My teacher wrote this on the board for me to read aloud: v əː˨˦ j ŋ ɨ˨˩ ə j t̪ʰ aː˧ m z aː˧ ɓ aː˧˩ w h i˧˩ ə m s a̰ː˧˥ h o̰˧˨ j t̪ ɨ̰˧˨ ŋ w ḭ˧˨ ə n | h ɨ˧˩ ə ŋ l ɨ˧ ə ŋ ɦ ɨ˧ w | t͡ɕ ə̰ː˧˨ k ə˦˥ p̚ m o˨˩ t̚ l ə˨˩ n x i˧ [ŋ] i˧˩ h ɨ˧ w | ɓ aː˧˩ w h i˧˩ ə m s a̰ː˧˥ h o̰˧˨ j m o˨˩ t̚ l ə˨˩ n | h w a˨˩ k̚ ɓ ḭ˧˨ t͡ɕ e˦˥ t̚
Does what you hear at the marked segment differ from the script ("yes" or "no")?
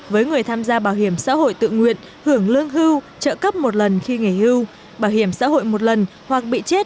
no